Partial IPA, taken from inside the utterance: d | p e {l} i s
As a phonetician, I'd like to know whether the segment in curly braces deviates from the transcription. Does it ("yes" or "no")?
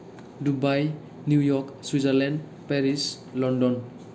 yes